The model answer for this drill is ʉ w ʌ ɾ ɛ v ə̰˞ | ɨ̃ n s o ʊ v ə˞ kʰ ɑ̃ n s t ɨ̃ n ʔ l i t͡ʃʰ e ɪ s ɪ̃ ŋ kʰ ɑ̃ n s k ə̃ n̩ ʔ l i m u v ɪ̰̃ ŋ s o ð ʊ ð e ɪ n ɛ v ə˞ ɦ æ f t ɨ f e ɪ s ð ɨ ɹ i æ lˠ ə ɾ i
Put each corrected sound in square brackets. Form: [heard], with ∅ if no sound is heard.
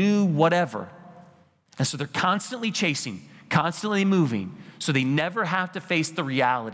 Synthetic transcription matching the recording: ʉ w ʌ ɾ ɛ v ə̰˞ | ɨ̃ n s o ʊ [ð] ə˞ kʰ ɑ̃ n s t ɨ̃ n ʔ l i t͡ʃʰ e ɪ s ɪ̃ ŋ kʰ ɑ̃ n s [t] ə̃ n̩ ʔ l i m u v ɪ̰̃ ŋ s o [∅] ʊ ð e ɪ n ɛ v ə˞ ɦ æ f t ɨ f e ɪ s ð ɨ ɹ i æ lˠ ə ɾ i